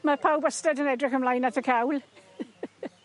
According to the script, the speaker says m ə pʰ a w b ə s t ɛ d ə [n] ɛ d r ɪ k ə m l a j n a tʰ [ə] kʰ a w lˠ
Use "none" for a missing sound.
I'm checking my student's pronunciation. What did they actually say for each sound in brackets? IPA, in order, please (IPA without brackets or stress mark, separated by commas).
n, ə